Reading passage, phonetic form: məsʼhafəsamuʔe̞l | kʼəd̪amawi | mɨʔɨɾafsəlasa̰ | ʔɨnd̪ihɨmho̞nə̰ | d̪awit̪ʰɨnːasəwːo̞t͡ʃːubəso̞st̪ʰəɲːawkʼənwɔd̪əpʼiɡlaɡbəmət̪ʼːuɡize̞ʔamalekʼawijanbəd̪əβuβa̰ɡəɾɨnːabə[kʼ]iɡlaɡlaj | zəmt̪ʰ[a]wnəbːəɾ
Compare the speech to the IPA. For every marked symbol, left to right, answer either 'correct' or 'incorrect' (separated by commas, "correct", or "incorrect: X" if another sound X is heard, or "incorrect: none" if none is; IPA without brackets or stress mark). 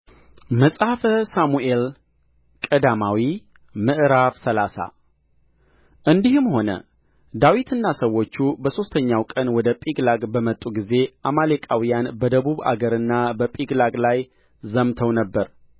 incorrect: pʼ, incorrect: ə